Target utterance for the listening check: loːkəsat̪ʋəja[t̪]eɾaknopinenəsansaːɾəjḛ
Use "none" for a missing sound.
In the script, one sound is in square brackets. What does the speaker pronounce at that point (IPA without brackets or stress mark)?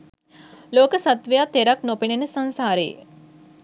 t̪